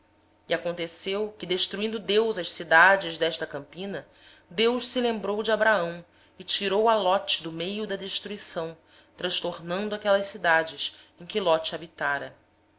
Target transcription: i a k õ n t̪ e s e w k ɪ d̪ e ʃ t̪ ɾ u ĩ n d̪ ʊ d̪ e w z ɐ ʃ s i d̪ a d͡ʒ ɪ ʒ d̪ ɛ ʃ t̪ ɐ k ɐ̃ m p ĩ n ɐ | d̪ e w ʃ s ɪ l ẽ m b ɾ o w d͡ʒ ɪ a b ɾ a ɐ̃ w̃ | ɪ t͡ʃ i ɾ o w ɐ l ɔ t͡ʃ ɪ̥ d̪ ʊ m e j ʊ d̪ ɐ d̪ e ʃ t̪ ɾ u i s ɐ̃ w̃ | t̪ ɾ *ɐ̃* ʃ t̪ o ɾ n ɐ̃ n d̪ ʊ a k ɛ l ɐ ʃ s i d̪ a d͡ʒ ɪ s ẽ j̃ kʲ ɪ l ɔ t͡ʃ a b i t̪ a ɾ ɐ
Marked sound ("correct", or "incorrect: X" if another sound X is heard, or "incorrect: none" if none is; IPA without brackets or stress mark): correct